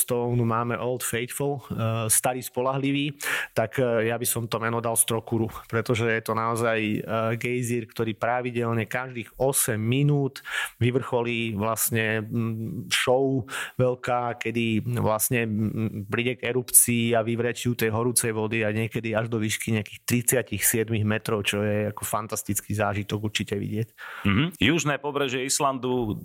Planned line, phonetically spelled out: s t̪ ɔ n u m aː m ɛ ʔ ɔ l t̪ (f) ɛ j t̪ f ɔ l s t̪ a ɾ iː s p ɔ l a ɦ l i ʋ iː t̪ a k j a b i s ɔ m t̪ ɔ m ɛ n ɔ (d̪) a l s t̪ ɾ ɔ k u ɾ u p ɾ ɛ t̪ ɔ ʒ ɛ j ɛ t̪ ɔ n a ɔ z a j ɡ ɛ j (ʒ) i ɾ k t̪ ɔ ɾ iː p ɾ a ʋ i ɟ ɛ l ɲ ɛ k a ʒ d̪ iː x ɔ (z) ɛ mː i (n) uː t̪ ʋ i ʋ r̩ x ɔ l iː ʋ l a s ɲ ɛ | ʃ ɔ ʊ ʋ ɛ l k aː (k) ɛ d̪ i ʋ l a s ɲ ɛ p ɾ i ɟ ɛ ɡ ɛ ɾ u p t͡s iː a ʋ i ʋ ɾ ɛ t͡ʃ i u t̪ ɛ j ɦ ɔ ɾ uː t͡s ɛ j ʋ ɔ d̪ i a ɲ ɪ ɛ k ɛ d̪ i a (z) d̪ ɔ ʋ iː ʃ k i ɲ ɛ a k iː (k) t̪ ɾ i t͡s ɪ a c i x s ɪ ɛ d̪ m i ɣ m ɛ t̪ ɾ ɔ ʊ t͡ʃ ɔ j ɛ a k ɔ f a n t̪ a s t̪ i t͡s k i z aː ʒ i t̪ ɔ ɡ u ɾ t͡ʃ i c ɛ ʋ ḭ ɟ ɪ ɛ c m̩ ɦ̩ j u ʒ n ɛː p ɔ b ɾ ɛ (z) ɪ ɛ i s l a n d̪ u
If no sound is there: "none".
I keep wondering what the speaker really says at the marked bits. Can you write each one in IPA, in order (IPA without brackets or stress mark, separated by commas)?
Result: f, d̪, z, s, n, k, ʒ, x, ʒ